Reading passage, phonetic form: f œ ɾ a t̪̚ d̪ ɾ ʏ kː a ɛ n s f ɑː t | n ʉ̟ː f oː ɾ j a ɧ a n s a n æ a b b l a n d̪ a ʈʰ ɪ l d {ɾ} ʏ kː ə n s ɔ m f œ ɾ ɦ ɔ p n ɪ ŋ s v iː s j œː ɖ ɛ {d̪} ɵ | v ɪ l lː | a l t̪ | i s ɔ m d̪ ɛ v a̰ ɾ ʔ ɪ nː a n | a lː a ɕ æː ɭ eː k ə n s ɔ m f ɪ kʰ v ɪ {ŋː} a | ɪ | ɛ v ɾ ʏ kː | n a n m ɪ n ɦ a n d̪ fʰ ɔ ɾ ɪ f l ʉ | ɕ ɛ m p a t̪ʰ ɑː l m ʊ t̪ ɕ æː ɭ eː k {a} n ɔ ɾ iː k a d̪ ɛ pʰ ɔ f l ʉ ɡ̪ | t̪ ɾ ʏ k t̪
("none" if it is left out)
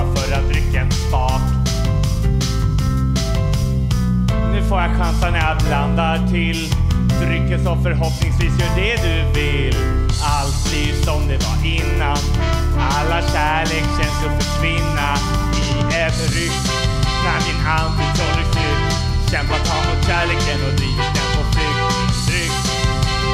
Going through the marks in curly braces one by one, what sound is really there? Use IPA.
ɾ, d̪, nː, ə

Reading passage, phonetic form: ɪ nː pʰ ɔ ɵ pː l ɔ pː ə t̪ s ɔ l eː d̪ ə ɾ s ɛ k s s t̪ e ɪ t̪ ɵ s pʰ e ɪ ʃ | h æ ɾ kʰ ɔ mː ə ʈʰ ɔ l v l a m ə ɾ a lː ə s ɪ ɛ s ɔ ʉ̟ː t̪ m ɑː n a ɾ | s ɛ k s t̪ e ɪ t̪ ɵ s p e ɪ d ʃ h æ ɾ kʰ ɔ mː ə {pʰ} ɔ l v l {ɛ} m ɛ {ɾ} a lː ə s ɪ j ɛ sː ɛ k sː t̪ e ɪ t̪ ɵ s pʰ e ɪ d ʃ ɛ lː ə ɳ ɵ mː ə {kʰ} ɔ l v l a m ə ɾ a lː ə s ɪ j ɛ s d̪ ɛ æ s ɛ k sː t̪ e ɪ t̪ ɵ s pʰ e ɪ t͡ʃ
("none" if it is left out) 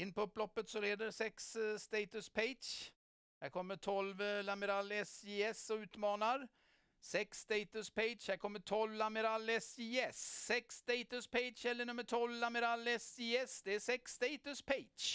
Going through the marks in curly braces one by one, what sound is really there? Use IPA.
ʈʰ, a, ɾ, ʈʰ

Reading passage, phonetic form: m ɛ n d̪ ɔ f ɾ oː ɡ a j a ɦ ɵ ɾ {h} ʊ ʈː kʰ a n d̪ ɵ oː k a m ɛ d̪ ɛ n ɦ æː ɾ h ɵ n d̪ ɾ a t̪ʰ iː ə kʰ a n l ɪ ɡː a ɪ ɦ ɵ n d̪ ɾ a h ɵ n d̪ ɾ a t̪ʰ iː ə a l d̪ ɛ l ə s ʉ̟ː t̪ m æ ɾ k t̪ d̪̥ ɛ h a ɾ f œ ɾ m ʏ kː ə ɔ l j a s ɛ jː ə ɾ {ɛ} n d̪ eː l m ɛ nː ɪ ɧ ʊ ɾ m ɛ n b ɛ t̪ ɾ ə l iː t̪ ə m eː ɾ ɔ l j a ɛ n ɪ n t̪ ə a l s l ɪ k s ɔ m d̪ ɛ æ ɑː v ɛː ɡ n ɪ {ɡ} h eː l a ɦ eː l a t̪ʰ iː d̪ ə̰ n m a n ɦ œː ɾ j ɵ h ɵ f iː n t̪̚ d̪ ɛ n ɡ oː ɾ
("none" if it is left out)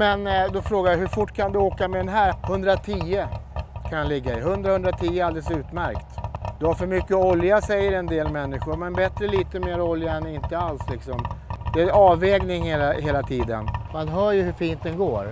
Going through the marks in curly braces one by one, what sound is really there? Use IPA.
f, ɛ, ŋ

